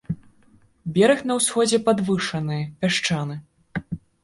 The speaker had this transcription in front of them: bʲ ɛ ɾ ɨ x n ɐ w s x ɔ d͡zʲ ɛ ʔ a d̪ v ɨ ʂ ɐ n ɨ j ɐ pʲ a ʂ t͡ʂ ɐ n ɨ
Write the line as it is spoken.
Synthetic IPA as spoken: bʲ ɛ ɾ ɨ x n ɐ w s x ɔ d͡zʲ ɛ p a d̪ v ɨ ʂ ɐ n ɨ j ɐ pʲ a ʂ t͡ʂ a n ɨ